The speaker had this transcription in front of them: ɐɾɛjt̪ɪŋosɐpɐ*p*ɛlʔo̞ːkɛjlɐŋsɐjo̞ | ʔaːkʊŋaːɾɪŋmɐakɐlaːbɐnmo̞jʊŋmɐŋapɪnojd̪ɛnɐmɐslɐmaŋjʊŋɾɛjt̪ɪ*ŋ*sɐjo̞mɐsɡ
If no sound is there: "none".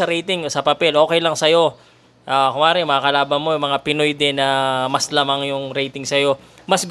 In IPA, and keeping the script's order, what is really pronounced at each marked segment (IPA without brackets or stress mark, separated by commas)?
p, ŋ